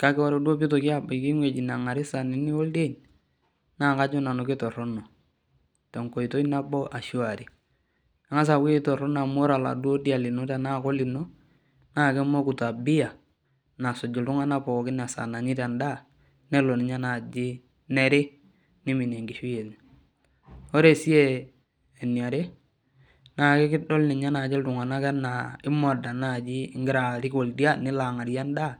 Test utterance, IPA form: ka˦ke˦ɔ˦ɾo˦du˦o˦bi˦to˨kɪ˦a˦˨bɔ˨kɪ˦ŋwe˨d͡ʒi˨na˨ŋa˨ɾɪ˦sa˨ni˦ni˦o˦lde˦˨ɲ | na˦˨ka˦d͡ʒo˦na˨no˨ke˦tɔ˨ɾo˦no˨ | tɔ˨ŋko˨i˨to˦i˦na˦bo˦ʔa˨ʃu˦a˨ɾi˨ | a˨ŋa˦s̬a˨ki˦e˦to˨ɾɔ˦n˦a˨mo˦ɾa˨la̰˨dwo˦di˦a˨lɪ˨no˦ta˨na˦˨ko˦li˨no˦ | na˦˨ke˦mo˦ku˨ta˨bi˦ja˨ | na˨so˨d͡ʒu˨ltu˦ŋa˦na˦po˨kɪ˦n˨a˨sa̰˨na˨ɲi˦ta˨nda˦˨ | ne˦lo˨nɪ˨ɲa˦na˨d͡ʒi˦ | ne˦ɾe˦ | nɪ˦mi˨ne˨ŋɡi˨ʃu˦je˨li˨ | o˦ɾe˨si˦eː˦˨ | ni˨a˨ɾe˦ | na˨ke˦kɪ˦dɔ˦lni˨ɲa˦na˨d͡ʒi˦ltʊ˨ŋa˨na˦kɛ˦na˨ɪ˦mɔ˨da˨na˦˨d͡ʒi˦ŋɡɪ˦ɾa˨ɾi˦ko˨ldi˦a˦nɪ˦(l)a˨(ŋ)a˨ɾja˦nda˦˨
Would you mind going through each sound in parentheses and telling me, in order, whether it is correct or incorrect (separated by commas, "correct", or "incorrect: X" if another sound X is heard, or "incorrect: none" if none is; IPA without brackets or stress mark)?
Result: correct, correct